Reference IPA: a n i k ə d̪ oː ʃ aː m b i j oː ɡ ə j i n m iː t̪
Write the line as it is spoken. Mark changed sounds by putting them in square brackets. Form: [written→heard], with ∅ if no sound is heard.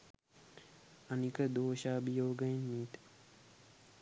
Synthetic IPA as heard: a n i k ə d̪ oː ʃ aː [m→∅] b i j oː ɡ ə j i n m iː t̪